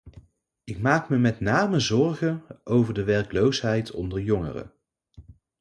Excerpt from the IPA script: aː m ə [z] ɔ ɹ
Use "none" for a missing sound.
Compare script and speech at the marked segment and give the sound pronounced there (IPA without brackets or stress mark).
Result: z